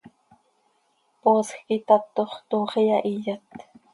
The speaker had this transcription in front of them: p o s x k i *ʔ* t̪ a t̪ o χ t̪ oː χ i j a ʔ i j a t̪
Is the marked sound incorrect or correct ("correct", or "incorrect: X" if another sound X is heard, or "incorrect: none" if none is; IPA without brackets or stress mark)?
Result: incorrect: none